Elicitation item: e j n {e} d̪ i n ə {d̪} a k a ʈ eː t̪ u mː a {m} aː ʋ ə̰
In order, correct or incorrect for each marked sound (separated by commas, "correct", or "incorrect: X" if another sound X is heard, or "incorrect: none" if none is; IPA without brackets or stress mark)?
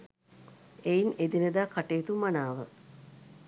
correct, correct, incorrect: n